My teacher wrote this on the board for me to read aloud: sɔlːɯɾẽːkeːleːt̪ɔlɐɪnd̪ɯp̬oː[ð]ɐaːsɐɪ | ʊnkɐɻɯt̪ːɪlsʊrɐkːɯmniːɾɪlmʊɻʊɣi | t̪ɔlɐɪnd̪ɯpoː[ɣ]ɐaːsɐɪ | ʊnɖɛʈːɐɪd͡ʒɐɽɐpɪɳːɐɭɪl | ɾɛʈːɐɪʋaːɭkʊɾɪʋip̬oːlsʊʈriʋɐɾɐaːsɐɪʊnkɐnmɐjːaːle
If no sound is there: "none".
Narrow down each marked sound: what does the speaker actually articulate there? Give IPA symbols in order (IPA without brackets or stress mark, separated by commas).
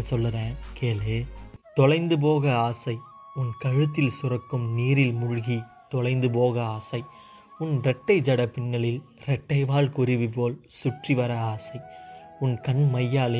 ɣ, ɣ